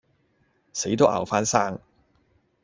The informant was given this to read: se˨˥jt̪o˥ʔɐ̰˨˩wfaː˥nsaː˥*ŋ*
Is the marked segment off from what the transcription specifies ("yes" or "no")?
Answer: no